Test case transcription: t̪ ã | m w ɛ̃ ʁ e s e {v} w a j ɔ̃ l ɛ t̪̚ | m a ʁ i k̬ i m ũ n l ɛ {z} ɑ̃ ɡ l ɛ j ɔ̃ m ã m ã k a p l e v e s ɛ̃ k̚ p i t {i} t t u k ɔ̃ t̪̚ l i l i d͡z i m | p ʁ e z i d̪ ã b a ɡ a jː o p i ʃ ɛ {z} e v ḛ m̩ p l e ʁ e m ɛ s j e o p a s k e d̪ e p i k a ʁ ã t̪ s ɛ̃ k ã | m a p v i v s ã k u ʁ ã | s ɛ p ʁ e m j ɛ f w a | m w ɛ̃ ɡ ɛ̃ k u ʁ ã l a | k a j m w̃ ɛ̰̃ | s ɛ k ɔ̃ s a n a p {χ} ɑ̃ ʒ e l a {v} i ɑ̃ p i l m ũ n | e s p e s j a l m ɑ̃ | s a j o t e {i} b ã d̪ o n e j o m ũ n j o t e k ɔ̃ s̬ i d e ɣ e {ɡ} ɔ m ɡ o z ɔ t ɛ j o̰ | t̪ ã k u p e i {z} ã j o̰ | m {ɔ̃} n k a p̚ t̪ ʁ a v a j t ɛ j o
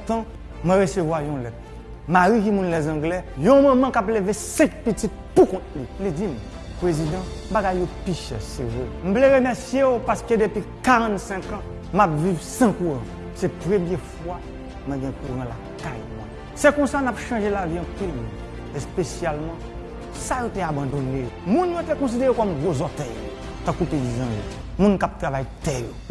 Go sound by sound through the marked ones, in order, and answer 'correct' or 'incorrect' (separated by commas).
correct, correct, correct, incorrect, incorrect, correct, incorrect, incorrect, correct, incorrect